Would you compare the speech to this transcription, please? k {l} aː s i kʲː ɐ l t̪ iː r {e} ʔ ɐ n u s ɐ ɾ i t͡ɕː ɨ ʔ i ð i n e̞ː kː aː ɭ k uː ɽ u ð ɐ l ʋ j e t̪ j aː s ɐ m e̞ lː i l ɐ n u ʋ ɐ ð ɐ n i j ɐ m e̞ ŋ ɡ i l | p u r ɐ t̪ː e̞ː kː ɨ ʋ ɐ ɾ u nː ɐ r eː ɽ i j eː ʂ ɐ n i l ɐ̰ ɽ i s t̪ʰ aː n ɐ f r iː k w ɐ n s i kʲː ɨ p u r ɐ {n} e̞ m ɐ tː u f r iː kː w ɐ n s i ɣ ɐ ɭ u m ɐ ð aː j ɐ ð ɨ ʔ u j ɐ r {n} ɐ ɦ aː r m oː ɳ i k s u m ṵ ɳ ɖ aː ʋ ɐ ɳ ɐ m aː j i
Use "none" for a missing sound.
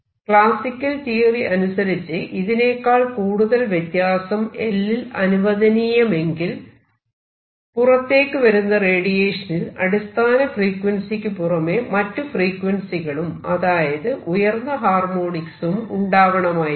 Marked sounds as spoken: ɭ, i, m, nː

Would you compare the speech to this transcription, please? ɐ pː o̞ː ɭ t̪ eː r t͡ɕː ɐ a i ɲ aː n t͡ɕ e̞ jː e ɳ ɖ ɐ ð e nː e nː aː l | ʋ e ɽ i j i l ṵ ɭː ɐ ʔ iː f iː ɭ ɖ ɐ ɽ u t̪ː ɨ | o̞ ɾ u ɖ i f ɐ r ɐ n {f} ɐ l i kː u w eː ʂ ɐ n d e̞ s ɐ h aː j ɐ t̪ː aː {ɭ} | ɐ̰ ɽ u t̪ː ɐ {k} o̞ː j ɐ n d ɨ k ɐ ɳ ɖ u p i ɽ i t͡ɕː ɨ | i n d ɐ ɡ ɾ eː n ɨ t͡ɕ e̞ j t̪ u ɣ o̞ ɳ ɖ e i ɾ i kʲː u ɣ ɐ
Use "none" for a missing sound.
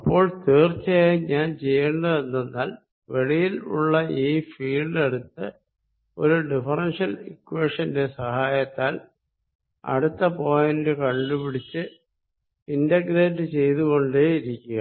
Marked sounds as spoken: ʂ, l, p

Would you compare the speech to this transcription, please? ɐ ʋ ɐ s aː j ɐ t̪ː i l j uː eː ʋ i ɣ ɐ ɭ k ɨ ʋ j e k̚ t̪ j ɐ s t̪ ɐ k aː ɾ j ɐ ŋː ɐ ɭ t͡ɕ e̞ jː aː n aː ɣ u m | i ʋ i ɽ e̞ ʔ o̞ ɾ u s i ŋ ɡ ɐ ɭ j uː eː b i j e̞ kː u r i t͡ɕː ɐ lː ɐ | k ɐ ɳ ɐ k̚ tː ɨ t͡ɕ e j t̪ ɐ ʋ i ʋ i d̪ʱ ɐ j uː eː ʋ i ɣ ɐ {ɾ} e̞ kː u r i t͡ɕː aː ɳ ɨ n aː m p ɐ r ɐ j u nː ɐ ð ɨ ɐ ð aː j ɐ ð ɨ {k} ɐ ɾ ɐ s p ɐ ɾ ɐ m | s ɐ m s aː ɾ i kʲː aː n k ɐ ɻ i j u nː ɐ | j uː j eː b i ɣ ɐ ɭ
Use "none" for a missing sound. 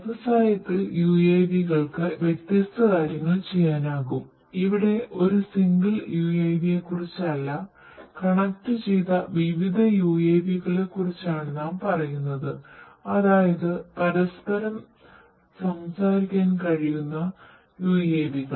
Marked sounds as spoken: ɭ, p

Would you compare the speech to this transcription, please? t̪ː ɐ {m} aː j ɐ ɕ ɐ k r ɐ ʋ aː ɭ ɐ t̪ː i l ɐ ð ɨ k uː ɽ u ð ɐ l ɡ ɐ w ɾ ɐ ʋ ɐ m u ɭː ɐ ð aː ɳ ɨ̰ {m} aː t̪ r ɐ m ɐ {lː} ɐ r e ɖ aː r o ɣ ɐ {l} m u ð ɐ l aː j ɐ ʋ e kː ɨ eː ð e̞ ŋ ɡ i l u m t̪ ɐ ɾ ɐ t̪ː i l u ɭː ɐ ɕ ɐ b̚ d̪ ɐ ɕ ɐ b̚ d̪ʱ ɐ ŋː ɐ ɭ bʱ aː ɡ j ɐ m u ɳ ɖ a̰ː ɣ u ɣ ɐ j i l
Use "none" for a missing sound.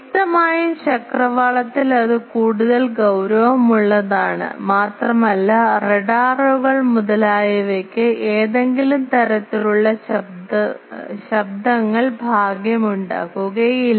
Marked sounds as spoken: m, m, lː, ɭ

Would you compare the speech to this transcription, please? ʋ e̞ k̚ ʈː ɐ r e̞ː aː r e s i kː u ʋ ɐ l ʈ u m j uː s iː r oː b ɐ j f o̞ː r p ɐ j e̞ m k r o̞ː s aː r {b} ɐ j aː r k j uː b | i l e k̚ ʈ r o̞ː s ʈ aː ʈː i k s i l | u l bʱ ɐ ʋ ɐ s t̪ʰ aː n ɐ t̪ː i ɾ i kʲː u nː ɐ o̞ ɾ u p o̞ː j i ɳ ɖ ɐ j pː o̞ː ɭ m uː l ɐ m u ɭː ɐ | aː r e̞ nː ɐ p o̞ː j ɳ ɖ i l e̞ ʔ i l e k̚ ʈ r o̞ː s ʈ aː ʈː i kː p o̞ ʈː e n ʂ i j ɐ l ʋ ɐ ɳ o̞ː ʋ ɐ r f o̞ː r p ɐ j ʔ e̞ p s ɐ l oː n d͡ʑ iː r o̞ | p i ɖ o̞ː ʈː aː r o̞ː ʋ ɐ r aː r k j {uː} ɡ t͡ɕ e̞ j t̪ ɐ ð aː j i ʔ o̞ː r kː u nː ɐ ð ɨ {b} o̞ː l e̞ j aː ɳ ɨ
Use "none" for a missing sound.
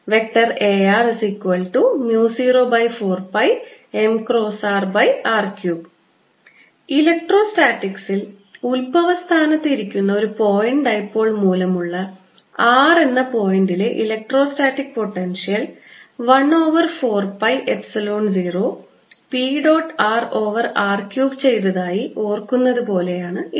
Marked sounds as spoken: b, uː, p

